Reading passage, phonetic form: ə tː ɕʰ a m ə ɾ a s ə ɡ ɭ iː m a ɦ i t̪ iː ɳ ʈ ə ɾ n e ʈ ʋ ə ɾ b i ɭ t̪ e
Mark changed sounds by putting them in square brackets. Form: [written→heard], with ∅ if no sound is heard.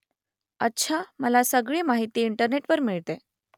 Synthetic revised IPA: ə tː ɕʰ a m ə [ɾ→l] a s ə ɡ ɭ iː m a ɦ i t̪ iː ɳ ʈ ə ɾ n e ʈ ʋ ə ɾ [b→m] i ɭ t̪ e